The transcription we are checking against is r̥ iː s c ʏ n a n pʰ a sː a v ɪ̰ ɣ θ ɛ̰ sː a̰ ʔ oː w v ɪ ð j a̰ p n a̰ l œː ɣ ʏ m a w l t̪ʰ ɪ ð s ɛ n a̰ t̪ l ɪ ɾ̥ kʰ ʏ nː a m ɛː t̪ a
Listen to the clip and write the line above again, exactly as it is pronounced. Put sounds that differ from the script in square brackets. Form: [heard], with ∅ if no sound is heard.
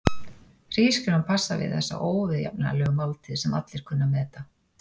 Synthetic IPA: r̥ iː s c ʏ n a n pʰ a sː a v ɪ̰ [ð] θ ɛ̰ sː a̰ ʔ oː w v ɪ ð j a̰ p n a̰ l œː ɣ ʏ m a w l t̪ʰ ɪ ð s ɛ [m] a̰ t̪ l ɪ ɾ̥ kʰ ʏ nː a m ɛː t̪ a

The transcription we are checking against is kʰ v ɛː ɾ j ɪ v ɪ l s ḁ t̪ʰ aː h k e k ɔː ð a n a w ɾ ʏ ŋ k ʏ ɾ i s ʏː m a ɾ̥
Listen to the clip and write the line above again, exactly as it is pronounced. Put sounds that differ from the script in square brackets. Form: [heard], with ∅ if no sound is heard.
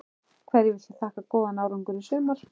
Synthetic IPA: kʰ v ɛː ɾ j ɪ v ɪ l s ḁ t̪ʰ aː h k [a] k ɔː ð a n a w ɾ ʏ ŋ k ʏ ɾ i s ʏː m a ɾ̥

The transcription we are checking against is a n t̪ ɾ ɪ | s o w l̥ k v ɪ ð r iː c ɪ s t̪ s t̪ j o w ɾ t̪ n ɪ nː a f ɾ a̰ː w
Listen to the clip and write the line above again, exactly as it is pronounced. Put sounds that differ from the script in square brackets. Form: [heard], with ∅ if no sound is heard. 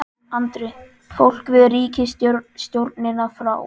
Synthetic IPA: a n t̪ ɾ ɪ | [f] o w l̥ k v ɪ ð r iː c ɪ s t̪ s t̪ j o w ɾ t̪ n ɪ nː a f ɾ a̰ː w

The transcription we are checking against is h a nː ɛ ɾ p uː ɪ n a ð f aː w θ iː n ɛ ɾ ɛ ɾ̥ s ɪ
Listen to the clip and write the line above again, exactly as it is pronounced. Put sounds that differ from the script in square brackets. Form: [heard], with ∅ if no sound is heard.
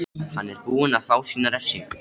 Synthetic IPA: h a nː ɛ ɾ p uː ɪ n a ð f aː w [s] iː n [a] ɾ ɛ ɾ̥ s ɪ

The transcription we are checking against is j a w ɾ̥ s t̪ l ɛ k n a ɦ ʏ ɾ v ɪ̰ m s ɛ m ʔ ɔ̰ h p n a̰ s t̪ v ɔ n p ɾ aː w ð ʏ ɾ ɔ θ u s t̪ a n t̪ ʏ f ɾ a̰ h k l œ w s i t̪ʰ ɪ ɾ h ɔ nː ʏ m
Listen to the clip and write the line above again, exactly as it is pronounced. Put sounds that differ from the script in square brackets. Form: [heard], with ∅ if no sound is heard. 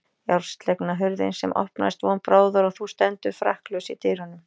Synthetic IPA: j a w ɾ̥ s t̪ l ɛ k n a ɦ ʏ ɾ [ð] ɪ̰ [n] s ɛ m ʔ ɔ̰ h p n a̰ s t̪ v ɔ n p ɾ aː w ð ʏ ɾ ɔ θ u s t̪ [ɛ] n t̪ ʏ f ɾ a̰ h k l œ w s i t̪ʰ ɪ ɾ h ɔ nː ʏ m

